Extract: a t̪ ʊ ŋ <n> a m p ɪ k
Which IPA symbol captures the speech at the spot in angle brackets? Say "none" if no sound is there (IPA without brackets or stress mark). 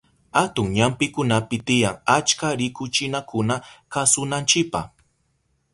ɲ